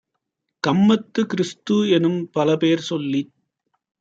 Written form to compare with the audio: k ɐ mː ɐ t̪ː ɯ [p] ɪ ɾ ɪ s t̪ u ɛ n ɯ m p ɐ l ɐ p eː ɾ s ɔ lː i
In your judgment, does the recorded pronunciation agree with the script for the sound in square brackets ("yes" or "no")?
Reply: no